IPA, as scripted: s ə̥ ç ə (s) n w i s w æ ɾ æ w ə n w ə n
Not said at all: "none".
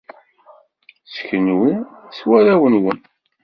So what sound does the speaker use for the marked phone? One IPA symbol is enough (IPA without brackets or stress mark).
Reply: none